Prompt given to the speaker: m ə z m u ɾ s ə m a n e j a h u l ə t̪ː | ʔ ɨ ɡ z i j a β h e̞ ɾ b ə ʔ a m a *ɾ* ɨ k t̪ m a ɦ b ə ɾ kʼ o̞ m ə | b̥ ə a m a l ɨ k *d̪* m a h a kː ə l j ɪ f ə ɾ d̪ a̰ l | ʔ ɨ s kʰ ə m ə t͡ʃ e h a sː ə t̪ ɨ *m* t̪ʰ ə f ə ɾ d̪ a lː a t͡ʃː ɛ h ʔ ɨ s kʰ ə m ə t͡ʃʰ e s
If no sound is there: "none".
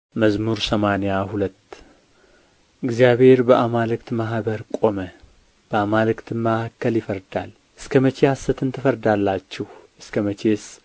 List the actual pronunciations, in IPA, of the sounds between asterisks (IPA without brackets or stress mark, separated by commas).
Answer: l, t̪, n